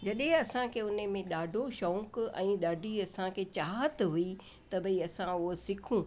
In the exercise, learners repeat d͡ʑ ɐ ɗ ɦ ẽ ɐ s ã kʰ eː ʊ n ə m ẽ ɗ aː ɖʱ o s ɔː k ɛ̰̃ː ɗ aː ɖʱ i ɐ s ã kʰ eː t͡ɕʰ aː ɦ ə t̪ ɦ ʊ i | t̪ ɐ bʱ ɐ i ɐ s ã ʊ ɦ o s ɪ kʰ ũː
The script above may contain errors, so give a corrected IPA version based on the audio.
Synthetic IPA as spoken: d͡ʑ ɐ ɗ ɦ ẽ ɐ s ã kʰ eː ʊ n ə m ẽ ɗ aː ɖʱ o ʃ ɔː k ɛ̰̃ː ɗ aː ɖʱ i ɐ s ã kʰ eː t͡ɕ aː ɦ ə t̪ ɦ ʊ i | t̪ ɐ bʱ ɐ i ɐ s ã ʊ ɦ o s ɪ kʰ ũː